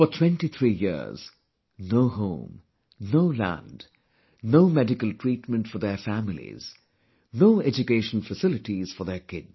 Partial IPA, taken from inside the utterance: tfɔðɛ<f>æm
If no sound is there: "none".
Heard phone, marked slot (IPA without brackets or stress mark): f